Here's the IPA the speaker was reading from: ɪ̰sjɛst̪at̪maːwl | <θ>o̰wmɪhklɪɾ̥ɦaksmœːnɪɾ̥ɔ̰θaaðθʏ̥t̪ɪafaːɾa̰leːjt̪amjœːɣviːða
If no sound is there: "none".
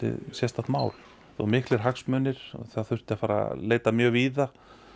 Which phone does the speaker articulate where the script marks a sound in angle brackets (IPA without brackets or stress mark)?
θ